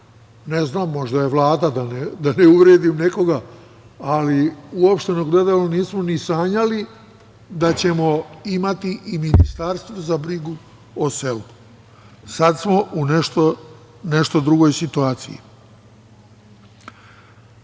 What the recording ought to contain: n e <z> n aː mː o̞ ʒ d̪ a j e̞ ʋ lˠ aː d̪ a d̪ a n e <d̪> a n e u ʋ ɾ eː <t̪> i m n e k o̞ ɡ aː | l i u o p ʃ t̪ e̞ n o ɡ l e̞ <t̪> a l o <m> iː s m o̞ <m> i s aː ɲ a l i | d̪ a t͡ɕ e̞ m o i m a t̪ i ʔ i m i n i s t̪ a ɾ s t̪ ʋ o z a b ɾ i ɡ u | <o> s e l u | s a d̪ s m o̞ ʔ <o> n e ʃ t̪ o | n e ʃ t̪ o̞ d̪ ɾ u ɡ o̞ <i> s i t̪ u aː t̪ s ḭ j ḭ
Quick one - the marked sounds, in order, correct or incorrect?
correct, correct, incorrect: d̪, incorrect: d̪, incorrect: n, incorrect: n, correct, incorrect: u, incorrect: j

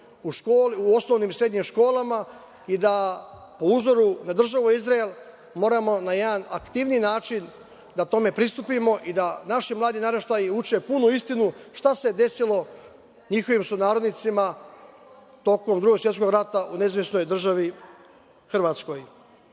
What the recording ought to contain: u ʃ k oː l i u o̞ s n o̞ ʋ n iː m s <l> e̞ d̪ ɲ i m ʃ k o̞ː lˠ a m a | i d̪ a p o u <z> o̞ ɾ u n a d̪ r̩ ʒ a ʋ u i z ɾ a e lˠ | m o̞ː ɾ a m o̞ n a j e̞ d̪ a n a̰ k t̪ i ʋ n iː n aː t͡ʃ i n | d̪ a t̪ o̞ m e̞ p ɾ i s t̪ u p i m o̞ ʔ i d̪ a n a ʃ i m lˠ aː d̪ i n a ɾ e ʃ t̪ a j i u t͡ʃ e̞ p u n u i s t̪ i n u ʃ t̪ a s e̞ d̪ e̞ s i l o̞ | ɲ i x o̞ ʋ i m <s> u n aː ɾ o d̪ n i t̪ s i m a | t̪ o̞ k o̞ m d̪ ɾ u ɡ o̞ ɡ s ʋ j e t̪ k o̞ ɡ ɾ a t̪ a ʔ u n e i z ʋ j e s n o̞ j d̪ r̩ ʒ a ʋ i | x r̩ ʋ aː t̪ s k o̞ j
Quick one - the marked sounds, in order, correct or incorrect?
incorrect: ɾ, correct, correct

